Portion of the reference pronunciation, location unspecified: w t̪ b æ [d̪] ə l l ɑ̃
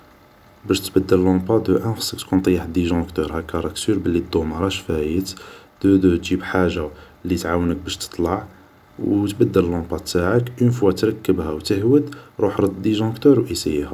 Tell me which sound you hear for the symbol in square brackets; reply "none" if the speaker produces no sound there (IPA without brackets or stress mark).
d̪ː